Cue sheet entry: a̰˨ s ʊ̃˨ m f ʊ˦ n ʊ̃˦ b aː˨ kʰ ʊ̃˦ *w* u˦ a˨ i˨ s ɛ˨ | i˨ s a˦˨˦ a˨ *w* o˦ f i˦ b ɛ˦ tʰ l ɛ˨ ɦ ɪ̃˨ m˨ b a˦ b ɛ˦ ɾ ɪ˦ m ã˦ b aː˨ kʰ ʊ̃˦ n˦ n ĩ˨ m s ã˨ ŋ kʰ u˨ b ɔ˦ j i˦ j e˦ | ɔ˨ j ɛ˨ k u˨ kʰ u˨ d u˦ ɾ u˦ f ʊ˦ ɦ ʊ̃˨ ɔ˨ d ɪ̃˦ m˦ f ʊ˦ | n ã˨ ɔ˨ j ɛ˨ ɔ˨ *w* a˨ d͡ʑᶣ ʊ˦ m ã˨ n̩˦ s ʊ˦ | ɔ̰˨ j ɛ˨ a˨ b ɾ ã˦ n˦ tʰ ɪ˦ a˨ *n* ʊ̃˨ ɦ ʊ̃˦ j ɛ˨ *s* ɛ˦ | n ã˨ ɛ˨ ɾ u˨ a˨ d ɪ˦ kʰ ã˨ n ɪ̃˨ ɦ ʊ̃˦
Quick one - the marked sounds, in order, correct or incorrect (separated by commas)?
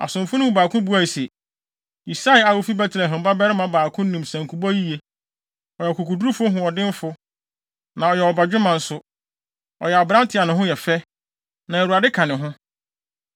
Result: incorrect, correct, incorrect, correct, incorrect